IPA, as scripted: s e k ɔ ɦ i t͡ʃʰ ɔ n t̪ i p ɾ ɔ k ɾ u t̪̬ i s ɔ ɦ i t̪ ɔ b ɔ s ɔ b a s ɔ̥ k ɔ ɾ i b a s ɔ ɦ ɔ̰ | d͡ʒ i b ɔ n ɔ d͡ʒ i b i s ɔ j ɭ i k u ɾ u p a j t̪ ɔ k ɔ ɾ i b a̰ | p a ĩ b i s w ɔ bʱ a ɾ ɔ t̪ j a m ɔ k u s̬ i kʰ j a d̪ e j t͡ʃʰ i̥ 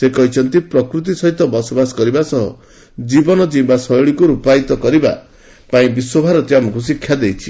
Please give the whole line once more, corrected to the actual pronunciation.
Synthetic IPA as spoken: s e k ɔ ɦ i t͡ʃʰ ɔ n t̪ i p ɾ ɔ k ɾ u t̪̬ i s ɔ ɦ i t̪ ɔ b ɔ s ɔ b a s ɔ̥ k ɔ ɾ i b a s ɔ ɦ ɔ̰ | d͡ʒ i b ɔ n ɔ d͡ʒ i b a s ɔ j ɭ i k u ɾ u p a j t̪ ɔ k ɔ ɾ i b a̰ | p a ĩ b i s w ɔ bʱ a ɾ ɔ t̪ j a m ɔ k u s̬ i kʰ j a d̪ e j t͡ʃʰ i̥